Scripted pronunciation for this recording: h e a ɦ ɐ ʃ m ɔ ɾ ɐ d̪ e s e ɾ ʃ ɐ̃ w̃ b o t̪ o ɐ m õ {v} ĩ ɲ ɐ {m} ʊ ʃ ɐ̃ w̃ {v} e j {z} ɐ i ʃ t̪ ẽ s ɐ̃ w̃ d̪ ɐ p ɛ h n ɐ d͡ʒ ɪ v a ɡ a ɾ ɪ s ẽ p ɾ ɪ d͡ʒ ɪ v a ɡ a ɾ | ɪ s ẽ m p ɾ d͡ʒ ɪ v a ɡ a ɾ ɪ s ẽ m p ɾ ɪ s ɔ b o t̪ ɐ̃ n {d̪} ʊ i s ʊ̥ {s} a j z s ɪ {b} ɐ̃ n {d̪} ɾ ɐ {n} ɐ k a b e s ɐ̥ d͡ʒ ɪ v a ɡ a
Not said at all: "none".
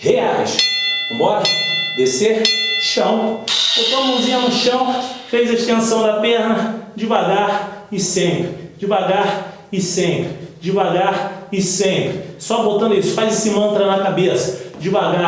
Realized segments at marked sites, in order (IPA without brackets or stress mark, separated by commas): z, n, f, z, d̪, f, m, t̪, n